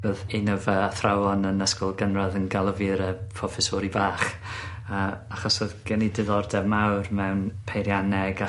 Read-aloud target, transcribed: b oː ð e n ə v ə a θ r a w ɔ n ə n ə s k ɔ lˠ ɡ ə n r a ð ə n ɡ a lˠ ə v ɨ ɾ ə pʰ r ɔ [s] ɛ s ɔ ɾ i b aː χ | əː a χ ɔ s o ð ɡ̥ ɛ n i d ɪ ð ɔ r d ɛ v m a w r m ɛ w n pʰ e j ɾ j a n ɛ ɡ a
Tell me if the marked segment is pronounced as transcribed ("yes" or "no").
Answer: no